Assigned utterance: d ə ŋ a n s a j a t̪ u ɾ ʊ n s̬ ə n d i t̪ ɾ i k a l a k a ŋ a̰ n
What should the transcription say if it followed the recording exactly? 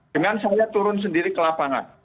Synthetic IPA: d ə ŋ a n s a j a t̪ u ɾ ʊ n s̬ ə n d i ɾ i k ə l a p a ŋ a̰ n